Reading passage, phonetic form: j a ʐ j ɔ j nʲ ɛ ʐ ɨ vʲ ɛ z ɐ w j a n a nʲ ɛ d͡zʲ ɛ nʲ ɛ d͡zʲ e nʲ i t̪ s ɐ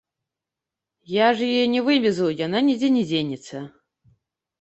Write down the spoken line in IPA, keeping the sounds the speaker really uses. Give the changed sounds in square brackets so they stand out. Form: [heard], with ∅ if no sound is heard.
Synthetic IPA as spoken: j a ʐ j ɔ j nʲ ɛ [v] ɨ vʲ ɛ z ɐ w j a n a nʲ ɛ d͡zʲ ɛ nʲ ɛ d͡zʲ e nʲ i t̪ s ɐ